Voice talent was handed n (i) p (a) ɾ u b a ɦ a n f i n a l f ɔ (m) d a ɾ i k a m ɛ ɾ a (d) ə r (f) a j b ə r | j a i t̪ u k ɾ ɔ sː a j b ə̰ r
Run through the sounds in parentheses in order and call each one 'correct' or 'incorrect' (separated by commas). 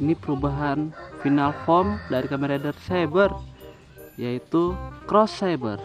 correct, incorrect, correct, correct, incorrect